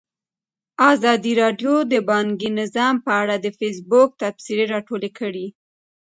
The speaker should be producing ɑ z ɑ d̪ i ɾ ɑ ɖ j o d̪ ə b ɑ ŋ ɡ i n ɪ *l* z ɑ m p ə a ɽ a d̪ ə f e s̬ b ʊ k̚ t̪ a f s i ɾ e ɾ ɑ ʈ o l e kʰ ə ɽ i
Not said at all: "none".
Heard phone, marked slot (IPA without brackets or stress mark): none